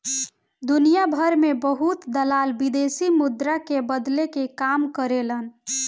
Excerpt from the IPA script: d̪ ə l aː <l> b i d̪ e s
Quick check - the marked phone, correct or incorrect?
correct